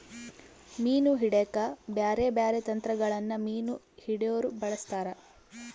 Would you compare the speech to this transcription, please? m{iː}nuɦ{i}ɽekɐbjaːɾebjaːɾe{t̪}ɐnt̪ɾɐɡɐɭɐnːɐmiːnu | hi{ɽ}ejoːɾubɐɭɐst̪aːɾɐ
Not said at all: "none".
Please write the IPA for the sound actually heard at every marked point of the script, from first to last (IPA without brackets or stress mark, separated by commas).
iː, i, t̪, ɽ